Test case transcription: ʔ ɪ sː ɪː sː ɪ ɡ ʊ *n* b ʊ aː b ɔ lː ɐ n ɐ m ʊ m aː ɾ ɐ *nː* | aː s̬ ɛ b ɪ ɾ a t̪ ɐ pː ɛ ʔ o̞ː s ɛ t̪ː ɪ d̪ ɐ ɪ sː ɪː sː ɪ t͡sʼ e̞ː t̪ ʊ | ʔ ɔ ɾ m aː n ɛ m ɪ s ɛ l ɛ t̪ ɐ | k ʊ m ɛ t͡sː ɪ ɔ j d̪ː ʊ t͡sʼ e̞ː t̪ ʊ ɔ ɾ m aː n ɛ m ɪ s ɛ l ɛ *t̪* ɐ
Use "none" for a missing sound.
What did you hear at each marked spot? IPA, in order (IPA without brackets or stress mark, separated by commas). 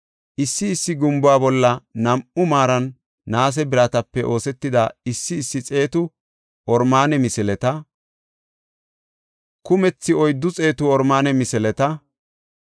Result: m, nː, t̪